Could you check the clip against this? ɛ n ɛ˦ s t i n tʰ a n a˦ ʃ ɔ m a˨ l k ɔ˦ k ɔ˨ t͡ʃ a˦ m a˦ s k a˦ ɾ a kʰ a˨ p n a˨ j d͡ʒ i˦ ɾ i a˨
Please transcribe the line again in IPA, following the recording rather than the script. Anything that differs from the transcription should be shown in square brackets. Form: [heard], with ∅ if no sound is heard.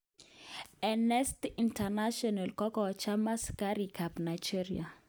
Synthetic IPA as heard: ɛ n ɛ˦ s t i n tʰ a n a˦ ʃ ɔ [n] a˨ l k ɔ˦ k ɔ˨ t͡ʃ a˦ m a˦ s k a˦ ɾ [i] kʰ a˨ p n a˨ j d͡ʒ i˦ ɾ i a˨